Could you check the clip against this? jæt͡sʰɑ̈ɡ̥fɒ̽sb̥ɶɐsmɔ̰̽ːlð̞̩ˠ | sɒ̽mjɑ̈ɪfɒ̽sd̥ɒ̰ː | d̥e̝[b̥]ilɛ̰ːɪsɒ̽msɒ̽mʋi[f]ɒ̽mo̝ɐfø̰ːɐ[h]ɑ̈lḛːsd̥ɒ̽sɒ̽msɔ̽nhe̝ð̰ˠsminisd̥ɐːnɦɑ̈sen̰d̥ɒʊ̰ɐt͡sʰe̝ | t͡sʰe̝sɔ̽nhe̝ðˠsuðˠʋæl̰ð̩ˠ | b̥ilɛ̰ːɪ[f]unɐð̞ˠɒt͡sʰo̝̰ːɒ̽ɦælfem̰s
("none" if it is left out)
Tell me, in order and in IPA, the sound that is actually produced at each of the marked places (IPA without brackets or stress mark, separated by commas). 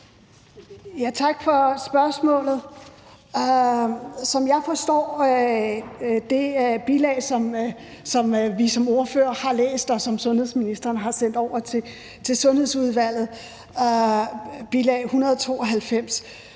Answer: b̥, s, h, h